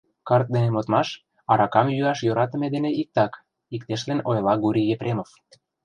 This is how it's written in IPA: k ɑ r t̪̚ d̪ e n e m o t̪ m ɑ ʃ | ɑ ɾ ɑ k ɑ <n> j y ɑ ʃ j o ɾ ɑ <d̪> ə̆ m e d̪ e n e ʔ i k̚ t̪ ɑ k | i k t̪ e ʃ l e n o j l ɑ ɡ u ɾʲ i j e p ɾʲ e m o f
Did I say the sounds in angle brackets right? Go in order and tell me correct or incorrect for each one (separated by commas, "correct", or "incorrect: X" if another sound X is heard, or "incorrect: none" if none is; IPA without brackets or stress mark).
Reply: incorrect: m, incorrect: t̪